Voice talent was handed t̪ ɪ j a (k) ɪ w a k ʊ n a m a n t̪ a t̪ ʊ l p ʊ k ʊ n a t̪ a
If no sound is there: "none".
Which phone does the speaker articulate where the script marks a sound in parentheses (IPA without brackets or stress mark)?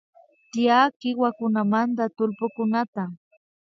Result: k